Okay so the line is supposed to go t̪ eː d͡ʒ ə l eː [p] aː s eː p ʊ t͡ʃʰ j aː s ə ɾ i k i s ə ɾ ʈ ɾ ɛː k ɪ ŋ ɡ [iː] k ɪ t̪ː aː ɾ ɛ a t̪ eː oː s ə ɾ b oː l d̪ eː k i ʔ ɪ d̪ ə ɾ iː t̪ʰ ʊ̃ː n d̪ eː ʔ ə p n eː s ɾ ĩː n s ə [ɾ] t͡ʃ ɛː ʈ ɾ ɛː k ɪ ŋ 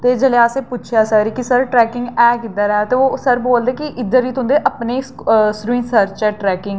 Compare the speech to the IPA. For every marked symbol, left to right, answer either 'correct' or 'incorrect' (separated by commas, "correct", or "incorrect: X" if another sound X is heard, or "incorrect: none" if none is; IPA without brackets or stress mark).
incorrect: none, incorrect: ɛː, correct